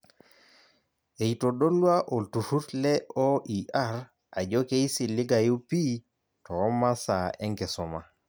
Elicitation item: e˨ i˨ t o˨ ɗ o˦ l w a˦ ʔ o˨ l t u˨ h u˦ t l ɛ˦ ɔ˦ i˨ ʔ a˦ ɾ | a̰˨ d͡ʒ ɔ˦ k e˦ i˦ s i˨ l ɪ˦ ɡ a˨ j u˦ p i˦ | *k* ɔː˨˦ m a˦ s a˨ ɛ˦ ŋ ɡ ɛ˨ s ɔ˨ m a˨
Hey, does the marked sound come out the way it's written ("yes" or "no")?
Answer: no